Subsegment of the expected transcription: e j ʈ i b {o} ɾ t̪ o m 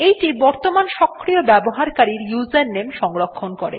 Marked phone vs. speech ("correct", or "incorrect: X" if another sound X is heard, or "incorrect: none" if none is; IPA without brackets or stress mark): incorrect: ɔ